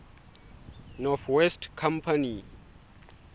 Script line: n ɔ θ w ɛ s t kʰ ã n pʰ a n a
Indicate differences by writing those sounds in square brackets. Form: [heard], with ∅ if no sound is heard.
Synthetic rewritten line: n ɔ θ w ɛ s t kʰ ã [m] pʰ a n [i]